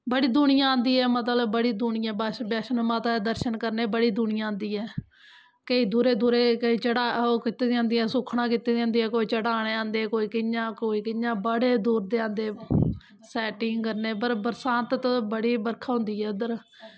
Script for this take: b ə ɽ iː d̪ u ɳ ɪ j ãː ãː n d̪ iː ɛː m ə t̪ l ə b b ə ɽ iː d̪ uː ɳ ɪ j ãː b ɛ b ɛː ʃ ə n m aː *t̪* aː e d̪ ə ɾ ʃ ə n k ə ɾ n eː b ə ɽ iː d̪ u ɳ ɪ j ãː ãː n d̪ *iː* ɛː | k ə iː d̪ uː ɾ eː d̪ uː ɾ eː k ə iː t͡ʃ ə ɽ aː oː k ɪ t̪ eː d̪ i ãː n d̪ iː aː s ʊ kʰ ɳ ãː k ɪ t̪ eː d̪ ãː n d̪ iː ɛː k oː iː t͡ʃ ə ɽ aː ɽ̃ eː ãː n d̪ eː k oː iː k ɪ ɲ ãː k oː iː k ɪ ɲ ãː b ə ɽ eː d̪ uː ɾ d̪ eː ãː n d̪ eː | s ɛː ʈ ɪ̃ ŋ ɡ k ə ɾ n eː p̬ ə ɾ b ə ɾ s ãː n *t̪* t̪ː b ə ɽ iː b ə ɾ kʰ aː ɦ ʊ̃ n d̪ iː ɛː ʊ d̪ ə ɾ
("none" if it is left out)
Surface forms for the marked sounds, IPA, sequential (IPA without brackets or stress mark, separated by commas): t̪, iː, t̪